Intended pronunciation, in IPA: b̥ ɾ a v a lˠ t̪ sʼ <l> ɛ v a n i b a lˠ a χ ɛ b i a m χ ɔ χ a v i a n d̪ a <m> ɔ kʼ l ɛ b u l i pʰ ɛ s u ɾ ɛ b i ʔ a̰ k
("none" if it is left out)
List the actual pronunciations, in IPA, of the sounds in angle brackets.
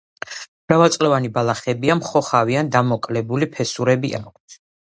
l, m

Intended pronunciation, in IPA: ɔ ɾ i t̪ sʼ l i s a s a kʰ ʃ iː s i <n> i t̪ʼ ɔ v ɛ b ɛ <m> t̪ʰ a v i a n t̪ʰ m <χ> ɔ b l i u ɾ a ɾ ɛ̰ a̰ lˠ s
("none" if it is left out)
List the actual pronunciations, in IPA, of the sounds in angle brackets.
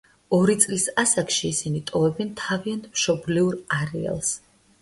n, n, ʃ

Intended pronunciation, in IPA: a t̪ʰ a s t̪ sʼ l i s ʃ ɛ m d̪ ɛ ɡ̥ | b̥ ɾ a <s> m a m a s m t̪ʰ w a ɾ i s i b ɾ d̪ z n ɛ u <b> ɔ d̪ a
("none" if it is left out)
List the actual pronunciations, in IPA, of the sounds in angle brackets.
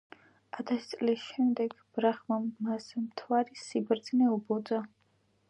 χ, b

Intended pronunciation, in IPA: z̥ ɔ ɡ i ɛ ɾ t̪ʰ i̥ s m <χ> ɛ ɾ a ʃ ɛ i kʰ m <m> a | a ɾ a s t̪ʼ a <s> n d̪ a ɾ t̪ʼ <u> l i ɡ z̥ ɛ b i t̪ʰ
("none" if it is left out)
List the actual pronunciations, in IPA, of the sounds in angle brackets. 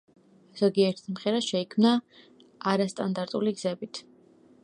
χ, n, none, u

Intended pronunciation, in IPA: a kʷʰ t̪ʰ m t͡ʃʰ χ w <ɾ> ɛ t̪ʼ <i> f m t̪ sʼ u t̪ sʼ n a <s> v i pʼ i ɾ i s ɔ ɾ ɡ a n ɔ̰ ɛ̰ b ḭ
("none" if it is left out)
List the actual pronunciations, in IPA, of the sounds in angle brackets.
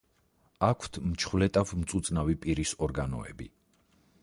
l, a, none

